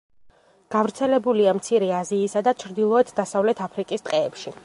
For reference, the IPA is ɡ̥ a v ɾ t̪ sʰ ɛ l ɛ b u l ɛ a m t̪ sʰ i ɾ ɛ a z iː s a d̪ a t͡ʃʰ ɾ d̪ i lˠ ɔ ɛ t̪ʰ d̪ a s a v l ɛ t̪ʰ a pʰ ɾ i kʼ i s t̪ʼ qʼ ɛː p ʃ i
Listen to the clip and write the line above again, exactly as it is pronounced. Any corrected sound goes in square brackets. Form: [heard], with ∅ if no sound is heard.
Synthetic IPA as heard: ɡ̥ a v ɾ t̪ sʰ ɛ l ɛ b u l [i] a m t̪ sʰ i ɾ ɛ a z iː s a d̪ a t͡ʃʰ ɾ d̪ i lˠ ɔ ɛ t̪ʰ d̪ a s a v l ɛ t̪ʰ a pʰ ɾ i kʼ i s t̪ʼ qʼ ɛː p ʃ i